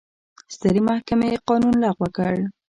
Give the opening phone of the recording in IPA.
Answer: s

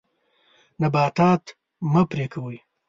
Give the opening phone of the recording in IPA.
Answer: n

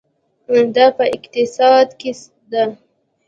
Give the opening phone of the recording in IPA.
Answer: d̪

